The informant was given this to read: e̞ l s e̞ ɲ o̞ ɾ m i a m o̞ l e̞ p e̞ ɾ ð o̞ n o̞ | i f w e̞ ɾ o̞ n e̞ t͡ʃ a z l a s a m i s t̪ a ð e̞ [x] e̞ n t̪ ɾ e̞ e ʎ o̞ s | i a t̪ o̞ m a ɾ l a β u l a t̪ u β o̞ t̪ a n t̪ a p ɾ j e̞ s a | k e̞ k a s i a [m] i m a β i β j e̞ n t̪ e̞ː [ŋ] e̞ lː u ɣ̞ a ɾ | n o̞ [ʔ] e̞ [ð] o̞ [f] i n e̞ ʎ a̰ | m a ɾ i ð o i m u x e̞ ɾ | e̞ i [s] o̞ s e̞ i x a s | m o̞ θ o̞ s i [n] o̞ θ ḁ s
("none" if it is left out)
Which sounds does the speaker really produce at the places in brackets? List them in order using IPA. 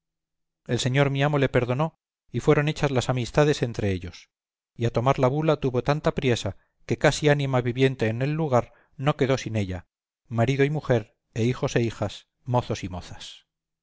s, n, n, k, ð, s, x, m

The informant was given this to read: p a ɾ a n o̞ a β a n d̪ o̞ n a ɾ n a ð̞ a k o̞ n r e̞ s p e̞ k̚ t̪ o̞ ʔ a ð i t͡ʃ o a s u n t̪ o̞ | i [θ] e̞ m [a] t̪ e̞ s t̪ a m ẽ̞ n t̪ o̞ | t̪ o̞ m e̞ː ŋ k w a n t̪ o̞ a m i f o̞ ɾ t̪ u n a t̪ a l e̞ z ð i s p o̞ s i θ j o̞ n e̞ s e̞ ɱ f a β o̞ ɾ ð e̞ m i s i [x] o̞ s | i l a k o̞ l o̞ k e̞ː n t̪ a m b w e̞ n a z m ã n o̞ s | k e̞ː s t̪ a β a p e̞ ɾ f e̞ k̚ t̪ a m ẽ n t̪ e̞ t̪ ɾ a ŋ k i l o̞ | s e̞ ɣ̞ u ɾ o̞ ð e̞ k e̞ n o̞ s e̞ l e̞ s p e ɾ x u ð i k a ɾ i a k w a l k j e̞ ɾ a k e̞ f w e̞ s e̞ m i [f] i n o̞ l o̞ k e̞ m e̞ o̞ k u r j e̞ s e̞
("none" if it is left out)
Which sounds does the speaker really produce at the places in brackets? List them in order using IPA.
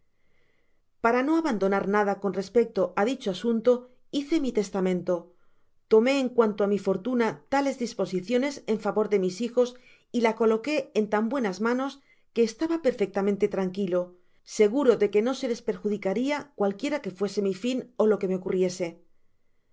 θ, i, x, f

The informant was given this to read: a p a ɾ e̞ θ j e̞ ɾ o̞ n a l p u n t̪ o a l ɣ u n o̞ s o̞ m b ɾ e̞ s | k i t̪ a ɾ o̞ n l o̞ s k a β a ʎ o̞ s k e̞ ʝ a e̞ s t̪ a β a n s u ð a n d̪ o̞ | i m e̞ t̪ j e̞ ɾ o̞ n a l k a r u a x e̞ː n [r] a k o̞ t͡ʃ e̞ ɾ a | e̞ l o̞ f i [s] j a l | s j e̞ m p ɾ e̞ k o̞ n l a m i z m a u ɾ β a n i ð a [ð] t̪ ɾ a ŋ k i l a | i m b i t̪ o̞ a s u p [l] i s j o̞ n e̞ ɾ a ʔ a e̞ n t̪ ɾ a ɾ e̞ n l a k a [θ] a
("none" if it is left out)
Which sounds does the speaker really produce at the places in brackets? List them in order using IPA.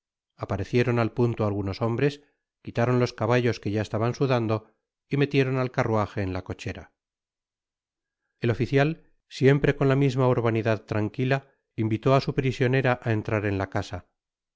l, θ, ð, ɾ, s

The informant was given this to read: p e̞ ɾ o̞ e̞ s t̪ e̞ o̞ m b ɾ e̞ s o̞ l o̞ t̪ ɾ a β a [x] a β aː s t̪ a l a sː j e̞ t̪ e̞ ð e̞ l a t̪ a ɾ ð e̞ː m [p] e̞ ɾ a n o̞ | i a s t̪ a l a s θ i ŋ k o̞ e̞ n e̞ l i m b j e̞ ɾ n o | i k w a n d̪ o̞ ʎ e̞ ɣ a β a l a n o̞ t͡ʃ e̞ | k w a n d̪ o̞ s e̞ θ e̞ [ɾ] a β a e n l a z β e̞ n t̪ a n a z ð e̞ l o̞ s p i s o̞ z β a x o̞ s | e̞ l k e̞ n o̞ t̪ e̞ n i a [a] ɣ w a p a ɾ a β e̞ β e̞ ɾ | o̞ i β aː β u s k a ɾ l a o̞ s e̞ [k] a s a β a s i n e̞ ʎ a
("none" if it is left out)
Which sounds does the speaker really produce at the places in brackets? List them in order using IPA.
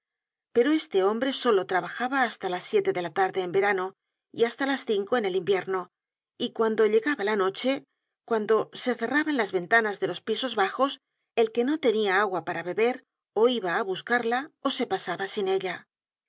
x, b, r, a, p

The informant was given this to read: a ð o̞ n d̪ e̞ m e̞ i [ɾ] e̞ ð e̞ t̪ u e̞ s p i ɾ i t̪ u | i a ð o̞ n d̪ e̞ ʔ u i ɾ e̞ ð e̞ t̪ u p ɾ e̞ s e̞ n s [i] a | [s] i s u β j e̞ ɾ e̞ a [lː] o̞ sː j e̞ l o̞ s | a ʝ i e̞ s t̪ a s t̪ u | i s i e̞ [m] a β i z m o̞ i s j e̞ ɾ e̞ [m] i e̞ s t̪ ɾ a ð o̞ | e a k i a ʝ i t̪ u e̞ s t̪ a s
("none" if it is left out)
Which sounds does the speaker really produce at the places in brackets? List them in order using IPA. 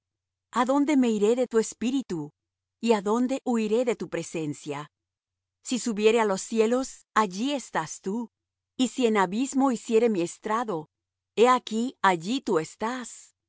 ɾ, j, s, l, n, m

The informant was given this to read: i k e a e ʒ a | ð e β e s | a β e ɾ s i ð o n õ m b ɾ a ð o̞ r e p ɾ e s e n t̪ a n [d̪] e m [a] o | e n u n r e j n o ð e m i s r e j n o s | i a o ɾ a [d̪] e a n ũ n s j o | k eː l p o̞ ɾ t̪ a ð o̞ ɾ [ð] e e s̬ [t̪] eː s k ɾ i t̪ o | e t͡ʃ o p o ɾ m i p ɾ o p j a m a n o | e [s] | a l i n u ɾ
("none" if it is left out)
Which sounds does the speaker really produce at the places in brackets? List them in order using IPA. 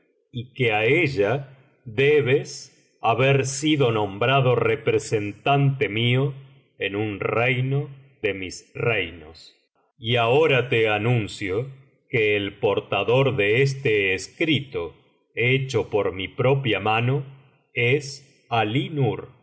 t̪, i, t̪, ð, t̪, s

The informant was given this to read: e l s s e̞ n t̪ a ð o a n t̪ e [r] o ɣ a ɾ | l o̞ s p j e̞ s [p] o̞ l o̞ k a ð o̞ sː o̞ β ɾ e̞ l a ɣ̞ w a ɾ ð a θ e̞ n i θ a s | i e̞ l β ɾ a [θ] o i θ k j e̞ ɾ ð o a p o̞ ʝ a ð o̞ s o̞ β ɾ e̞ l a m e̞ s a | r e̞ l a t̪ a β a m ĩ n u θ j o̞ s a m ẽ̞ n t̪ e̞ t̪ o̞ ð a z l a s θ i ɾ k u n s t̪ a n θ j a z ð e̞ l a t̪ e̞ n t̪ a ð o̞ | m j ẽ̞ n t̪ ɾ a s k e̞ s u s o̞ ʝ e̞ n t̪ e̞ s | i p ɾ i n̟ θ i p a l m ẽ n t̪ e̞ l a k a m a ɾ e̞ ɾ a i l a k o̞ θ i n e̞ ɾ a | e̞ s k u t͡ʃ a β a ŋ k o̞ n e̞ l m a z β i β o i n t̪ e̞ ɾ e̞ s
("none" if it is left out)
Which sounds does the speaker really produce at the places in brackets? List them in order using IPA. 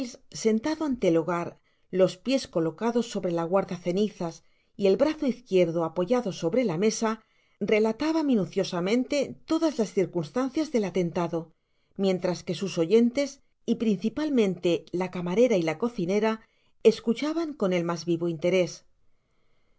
l, k, θ

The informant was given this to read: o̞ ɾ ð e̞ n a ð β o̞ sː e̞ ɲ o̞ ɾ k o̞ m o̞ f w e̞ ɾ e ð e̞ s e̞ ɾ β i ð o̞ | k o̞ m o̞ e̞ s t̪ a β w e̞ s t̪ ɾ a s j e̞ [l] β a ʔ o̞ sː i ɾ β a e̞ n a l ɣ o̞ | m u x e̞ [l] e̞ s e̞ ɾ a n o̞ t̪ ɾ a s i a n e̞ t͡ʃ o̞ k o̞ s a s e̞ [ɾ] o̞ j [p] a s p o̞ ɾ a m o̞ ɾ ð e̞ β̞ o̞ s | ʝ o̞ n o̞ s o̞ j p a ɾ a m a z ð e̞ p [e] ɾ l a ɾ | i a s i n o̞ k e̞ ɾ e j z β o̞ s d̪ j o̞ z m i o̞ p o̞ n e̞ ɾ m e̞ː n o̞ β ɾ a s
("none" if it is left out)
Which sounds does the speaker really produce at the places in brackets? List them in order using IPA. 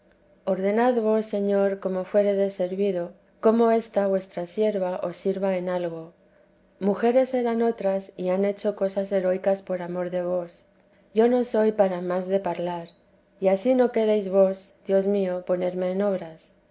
ɾ, ɾ, ɾ, k, a

